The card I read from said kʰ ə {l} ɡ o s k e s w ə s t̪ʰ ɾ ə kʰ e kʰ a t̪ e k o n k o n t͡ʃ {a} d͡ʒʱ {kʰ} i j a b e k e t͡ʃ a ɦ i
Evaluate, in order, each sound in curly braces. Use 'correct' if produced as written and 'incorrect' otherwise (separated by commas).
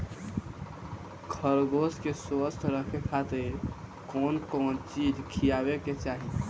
incorrect, incorrect, correct